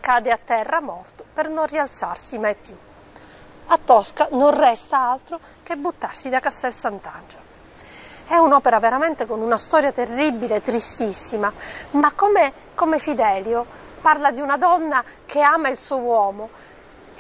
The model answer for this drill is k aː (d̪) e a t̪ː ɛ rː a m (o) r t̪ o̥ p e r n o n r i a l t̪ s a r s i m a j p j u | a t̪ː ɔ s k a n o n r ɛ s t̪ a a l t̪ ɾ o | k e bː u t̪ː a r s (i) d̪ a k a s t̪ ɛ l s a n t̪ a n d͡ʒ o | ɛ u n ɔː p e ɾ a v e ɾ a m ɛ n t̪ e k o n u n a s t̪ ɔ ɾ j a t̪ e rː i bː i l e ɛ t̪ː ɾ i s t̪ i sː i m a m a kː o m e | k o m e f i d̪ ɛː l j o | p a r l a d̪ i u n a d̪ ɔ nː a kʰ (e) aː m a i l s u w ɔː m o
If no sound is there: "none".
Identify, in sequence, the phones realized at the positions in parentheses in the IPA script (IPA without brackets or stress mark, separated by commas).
d̪, ɔ, i, e